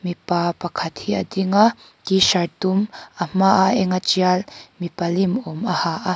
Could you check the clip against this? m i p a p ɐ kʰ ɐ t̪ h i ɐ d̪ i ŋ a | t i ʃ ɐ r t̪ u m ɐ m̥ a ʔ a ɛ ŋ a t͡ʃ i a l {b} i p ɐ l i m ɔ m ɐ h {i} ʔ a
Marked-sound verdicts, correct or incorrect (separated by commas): incorrect, incorrect